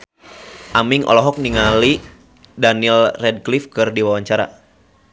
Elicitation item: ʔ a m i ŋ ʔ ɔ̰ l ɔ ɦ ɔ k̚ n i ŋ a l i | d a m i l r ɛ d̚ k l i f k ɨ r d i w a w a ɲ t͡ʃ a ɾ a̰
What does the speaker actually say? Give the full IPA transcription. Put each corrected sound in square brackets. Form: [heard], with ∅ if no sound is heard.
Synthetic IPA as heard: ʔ a m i ŋ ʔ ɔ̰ l ɔ ɦ ɔ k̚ n i ŋ a l i | d a [n] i l r ɛ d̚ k l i f k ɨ r d i w a w a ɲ t͡ʃ a ɾ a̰